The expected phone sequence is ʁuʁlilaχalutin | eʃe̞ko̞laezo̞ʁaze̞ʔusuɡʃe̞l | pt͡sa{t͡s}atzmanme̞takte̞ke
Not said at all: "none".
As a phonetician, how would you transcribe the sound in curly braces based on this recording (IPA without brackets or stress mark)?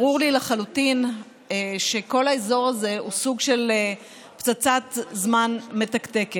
t͡s